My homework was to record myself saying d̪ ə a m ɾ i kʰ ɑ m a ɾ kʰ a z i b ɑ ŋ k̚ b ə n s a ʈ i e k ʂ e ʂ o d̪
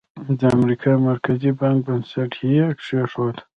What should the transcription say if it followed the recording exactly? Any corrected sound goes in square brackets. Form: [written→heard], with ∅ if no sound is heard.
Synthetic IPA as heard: d̪ ə a m ɾ i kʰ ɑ m a ɾ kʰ a z i b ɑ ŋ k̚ b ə n s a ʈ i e k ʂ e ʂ o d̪